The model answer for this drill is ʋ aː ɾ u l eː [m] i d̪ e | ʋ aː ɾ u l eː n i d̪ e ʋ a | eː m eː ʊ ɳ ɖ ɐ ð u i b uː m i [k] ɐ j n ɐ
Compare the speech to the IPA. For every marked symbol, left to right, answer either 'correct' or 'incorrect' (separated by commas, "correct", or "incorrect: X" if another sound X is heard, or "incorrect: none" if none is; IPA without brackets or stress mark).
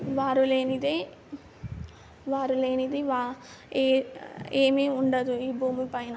incorrect: n, incorrect: p